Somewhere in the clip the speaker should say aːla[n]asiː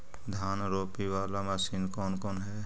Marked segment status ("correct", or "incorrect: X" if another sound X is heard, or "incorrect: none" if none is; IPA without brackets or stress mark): incorrect: m